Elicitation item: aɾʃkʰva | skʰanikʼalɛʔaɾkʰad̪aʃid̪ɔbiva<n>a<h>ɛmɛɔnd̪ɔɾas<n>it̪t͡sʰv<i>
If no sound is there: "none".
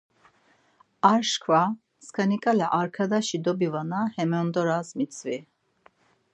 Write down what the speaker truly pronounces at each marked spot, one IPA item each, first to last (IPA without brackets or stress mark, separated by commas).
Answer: n, h, m, i